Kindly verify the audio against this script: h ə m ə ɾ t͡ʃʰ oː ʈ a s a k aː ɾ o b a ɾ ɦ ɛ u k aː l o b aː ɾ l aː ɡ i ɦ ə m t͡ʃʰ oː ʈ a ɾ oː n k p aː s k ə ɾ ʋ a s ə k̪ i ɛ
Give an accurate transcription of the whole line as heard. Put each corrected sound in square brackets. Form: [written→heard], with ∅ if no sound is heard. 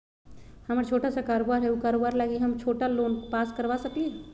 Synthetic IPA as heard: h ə m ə ɾ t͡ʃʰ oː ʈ a s a k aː ɾ o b a ɾ ɦ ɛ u k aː [l→ɾ] o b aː ɾ l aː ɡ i ɦ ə m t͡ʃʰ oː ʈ a [ɾ→l] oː n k p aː s k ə ɾ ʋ a s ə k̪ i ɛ